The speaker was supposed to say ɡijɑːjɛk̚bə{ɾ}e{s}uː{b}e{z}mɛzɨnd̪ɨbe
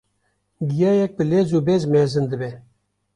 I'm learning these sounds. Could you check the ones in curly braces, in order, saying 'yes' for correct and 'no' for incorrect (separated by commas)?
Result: no, no, yes, yes